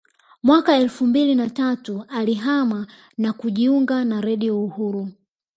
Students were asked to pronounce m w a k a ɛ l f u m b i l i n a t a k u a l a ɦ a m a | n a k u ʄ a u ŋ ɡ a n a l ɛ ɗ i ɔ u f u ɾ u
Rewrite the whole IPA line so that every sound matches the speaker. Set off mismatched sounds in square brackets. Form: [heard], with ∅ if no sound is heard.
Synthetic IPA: m w a k a ɛ l f u m b i l i n a t a [t] u a l [i] ɦ a m a | n a k u ʄ [i] u ŋ ɡ a n a [ɾ] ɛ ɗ i ɔ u [h] u ɾ u